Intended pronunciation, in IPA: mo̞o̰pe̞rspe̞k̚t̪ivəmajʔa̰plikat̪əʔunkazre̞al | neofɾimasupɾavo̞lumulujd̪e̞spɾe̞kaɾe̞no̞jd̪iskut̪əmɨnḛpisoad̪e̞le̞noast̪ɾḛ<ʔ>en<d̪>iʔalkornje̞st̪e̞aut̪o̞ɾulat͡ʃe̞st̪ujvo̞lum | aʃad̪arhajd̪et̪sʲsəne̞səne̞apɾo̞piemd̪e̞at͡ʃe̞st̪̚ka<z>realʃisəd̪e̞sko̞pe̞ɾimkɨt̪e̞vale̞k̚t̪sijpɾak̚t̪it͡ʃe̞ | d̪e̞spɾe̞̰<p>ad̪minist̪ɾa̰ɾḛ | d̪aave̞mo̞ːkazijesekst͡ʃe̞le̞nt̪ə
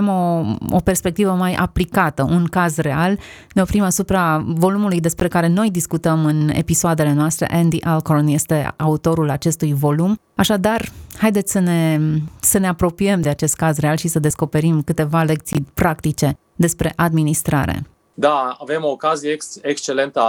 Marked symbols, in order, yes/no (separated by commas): yes, yes, yes, no